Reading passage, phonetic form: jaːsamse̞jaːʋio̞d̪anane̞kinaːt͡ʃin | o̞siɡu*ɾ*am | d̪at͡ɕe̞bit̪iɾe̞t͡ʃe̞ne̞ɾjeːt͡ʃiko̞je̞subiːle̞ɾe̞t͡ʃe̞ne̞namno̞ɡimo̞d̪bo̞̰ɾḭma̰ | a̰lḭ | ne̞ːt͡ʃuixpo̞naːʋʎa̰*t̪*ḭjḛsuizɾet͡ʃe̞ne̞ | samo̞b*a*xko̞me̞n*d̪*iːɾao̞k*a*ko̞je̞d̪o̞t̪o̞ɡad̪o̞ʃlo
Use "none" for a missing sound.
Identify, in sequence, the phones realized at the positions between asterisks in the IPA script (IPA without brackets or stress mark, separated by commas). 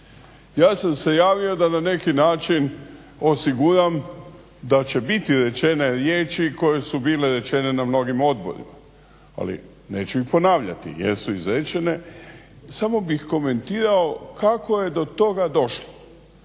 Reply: ɾ, t̪, i, t̪, a